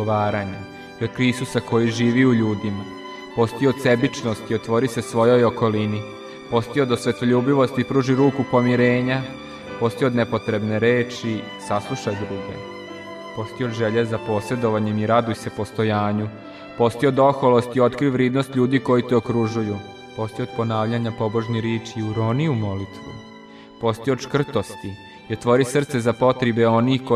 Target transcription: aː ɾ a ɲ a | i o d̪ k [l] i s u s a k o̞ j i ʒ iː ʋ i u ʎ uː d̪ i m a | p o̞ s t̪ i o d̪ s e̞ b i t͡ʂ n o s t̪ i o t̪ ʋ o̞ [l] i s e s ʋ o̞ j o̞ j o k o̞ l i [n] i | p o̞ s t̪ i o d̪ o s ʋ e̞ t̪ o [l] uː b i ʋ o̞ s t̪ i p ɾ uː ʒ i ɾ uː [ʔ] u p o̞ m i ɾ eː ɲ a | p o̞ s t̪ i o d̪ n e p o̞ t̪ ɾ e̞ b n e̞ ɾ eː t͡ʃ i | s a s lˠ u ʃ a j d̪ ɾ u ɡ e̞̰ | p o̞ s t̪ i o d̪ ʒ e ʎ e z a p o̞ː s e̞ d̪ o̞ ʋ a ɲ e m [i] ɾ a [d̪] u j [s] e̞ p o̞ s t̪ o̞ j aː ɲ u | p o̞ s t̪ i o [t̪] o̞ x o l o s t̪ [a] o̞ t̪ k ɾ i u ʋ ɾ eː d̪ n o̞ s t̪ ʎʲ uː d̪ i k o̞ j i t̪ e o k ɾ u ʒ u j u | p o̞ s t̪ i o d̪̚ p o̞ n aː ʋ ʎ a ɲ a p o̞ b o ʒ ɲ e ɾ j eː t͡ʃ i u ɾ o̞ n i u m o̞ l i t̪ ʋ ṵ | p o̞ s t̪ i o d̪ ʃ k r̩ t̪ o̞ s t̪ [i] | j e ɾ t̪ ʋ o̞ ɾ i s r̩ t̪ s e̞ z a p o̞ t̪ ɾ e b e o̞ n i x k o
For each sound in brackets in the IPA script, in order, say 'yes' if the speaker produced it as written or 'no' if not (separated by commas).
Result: no, no, yes, no, no, yes, yes, yes, no, no, yes